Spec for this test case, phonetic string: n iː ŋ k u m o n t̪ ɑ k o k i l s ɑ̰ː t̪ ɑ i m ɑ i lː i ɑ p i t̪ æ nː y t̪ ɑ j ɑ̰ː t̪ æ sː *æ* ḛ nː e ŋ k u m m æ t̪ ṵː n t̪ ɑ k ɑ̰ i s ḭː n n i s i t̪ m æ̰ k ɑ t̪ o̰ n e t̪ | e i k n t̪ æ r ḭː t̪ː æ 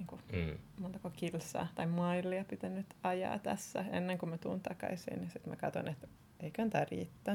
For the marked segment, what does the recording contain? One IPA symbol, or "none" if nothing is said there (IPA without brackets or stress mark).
æ